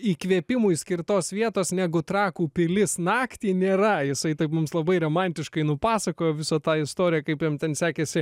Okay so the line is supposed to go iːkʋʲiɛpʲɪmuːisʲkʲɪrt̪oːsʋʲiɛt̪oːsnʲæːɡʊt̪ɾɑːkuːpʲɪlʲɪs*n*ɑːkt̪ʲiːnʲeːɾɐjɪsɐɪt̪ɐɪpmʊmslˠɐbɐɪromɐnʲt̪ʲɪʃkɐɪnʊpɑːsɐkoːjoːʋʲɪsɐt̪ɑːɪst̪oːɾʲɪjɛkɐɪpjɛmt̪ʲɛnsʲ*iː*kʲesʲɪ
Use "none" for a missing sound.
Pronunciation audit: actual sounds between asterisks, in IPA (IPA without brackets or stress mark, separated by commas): n, æː